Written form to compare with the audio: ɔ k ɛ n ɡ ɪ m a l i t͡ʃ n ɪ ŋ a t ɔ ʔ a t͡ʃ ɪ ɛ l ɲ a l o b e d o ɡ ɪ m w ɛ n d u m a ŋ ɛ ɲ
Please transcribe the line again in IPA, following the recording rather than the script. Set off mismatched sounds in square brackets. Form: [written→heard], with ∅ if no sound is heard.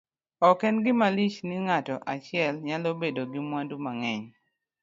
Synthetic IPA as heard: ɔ k ɛ n ɡ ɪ m a l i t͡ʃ n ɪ ŋ a t ɔ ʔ a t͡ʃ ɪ ɛ l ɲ a l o b e d o ɡ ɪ m w [ɛ→a] n d u m a ŋ ɛ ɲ